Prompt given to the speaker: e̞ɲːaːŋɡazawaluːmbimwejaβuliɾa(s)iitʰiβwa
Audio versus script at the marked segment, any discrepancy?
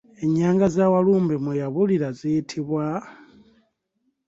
yes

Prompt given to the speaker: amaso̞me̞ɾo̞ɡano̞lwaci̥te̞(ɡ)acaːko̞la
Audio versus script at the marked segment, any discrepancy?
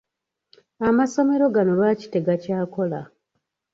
no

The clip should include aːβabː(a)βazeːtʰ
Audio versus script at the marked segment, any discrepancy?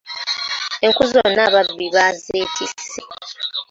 yes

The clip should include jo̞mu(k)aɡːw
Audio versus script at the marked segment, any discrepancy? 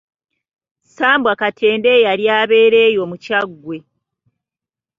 yes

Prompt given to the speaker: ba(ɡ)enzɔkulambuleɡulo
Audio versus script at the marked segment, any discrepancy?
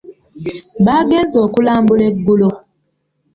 no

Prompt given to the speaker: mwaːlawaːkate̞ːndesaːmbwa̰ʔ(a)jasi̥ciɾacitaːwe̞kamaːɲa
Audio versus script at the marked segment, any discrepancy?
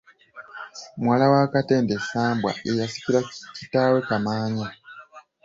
yes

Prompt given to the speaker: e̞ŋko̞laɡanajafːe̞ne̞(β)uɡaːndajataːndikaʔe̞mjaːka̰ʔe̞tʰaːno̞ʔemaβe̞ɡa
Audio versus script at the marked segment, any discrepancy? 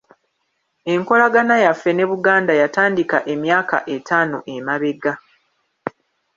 no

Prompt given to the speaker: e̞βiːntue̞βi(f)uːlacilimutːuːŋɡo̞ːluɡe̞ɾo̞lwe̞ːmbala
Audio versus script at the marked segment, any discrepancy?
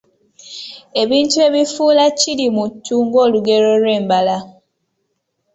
no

